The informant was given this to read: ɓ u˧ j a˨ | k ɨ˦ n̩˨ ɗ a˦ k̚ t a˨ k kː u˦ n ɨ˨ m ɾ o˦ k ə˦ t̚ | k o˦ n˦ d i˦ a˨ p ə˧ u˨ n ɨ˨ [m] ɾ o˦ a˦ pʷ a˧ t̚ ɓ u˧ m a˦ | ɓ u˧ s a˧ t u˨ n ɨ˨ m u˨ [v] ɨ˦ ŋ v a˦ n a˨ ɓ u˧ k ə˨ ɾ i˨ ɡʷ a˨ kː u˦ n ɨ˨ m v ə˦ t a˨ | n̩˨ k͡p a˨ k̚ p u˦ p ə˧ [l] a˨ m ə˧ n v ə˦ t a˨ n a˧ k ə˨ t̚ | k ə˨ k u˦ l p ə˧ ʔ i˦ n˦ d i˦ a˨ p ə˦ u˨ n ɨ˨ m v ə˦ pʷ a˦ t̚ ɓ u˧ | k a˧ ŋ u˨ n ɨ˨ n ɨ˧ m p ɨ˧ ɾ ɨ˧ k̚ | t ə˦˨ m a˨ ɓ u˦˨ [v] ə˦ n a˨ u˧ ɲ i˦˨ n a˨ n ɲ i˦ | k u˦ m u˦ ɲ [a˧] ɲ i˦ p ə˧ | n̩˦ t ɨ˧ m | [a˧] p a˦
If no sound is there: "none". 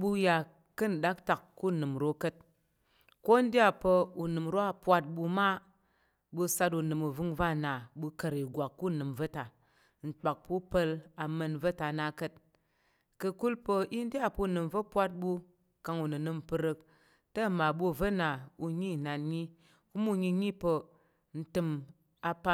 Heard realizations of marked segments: m, v, l, v, i˧, a˧

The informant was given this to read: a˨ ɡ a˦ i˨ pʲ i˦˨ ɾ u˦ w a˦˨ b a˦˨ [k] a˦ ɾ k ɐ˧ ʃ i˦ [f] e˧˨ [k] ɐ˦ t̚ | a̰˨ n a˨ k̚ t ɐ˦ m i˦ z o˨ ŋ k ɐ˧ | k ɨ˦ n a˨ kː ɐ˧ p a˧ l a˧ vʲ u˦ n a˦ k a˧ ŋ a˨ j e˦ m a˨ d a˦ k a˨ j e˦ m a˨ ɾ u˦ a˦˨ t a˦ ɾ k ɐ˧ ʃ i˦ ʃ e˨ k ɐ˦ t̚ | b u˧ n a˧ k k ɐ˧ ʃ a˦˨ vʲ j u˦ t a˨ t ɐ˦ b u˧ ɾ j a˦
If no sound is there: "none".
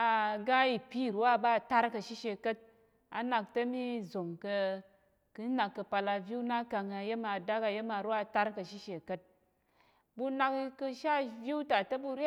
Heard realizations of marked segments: t, ʃ, k

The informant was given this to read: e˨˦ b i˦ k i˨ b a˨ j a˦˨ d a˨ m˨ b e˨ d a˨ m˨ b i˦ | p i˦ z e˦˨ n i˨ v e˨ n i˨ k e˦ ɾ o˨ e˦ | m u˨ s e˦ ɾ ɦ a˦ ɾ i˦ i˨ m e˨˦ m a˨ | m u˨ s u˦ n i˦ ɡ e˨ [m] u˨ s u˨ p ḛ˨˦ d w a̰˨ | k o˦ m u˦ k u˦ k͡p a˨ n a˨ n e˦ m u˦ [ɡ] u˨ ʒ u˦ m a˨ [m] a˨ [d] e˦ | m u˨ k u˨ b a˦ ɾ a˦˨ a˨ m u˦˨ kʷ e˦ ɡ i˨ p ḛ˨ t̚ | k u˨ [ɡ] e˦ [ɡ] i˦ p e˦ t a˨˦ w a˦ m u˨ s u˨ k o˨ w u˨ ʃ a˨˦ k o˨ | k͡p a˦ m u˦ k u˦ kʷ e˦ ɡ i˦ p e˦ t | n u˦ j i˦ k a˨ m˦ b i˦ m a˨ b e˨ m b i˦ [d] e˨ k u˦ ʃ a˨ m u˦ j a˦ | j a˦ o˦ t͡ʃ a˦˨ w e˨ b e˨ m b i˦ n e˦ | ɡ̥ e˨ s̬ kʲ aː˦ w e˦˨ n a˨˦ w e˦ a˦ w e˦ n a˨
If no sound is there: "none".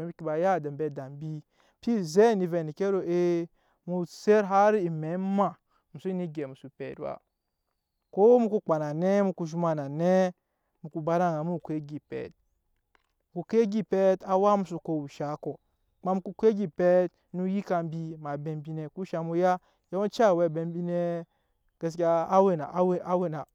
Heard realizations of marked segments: m, k, n, n, k, ɡ, n

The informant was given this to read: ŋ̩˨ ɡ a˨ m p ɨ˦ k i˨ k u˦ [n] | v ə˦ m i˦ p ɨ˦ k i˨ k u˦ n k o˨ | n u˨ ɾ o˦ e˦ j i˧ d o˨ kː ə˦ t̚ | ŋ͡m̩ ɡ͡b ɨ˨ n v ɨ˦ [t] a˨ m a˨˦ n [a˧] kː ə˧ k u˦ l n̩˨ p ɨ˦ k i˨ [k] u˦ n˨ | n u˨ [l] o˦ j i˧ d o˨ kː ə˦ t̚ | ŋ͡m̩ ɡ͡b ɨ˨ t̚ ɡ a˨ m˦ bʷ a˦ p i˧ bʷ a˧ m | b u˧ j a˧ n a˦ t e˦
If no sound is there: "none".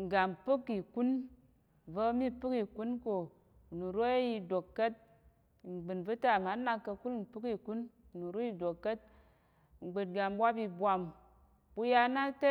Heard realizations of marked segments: n, t, a˧, k, ɾ

